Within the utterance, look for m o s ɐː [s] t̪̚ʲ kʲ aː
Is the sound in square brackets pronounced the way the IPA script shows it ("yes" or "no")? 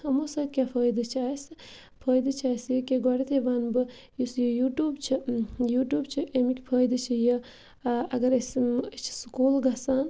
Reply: no